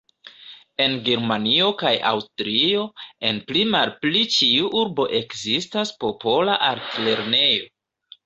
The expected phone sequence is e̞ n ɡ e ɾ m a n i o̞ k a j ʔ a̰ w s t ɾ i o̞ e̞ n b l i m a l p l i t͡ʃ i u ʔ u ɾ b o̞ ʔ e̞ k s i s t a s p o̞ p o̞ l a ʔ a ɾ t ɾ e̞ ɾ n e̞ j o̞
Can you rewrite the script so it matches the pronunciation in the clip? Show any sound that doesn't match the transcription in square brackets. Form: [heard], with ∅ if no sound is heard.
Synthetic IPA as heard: e̞ n ɡ e ɾ m a n i o̞ k a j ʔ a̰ w s t ɾ i o̞ e̞ n [p] l i m a l p l i t͡ʃ i u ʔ u ɾ b o̞ ʔ e̞ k [z] i s t a s p o̞ p o̞ l a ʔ a ɾ t [l] e̞ ɾ n e̞ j o̞